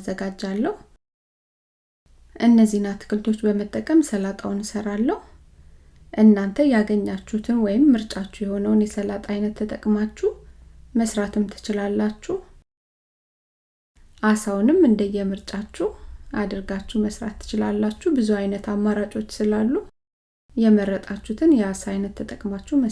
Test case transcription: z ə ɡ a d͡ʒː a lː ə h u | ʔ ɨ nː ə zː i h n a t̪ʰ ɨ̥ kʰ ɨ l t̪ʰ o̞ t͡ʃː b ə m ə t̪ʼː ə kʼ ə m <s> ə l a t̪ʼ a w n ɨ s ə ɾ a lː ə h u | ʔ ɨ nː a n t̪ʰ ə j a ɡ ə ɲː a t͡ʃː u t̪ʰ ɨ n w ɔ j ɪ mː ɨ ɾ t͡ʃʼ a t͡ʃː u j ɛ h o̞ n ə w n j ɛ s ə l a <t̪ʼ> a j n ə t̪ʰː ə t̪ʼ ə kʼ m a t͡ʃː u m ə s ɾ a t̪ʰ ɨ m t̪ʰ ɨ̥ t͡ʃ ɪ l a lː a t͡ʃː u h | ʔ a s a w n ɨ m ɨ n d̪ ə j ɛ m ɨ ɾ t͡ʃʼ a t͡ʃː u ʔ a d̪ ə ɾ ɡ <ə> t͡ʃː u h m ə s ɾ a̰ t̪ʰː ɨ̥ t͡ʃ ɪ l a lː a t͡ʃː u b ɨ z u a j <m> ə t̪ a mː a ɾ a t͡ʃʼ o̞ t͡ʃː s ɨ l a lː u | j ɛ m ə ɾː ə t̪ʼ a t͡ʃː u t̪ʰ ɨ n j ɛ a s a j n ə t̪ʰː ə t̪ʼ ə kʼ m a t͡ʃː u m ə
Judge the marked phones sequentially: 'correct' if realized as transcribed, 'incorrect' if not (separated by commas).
correct, correct, incorrect, incorrect